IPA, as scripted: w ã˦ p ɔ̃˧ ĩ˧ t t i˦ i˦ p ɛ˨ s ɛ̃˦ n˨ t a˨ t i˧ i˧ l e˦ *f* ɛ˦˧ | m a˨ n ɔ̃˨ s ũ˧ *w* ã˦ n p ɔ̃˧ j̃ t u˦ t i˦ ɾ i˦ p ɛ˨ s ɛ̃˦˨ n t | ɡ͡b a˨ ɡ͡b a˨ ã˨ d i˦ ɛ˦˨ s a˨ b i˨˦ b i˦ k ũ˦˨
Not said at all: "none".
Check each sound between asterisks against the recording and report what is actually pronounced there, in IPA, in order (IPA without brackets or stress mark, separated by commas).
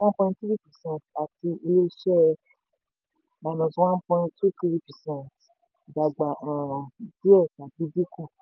ʃ, w